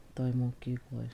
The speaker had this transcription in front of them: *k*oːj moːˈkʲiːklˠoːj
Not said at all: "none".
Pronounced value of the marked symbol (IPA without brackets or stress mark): t